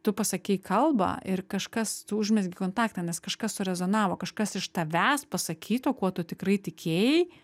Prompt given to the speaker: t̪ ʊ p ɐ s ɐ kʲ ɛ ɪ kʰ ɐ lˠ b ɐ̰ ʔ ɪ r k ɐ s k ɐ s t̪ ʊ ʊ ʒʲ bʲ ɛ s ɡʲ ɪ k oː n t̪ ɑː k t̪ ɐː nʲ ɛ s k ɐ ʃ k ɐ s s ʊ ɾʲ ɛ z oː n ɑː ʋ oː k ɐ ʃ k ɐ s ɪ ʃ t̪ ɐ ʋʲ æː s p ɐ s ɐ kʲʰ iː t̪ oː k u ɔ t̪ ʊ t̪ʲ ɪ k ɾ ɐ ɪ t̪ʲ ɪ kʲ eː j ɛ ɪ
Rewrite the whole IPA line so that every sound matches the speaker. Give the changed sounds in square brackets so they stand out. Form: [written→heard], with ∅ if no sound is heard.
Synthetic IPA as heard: t̪ ʊ p ɐ s ɐ kʲ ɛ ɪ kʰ ɐ lˠ b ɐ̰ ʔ ɪ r k ɐ [s→ʃ] k ɐ s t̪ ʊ ʊ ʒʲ [bʲ→mʲ] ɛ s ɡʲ ɪ k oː n t̪ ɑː k t̪ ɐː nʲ ɛ s k ɐ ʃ k ɐ s s ʊ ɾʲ ɛ z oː n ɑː ʋ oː k ɐ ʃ k ɐ s ɪ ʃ t̪ ɐ ʋʲ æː s p ɐ s ɐ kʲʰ iː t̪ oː k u ɔ t̪ ʊ t̪ʲ ɪ k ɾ ɐ ɪ t̪ʲ ɪ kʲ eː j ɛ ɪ